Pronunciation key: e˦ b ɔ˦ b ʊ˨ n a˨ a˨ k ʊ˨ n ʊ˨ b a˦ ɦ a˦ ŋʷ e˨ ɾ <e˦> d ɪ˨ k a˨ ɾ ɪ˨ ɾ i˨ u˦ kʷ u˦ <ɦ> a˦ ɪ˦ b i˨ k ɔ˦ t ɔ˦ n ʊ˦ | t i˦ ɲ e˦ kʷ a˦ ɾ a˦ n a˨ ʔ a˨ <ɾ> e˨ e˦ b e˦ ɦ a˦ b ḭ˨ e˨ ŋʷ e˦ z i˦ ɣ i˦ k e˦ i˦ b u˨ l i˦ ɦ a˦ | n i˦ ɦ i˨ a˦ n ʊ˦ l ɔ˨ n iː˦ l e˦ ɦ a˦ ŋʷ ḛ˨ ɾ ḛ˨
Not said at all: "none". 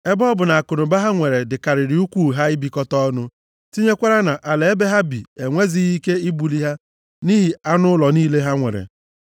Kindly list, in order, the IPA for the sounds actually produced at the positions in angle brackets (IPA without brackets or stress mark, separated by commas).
e˨, ɦ, l